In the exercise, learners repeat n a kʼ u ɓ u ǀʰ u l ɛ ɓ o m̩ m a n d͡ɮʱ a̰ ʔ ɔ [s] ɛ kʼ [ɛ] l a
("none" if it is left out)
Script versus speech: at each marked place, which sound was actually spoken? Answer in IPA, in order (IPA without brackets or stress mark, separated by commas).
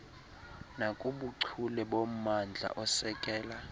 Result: s, ɛː